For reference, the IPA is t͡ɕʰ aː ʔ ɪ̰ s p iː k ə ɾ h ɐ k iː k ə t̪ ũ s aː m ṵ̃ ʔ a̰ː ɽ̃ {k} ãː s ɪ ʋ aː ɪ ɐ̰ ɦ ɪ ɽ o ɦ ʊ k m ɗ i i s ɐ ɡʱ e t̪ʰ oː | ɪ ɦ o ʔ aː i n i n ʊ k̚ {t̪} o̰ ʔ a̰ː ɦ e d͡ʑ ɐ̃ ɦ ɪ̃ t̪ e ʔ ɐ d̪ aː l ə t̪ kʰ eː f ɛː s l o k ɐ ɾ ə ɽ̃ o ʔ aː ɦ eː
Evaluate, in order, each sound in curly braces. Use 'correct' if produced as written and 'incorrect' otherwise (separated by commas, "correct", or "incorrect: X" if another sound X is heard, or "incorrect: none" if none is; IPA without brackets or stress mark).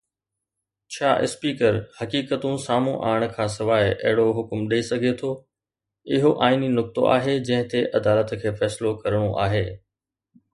incorrect: kʰ, correct